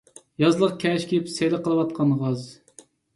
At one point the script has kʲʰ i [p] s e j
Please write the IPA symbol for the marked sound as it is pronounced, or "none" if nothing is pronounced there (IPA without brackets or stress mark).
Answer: p